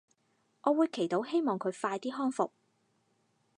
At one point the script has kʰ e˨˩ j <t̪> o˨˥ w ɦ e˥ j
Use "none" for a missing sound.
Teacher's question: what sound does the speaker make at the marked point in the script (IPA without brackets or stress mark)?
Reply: t̪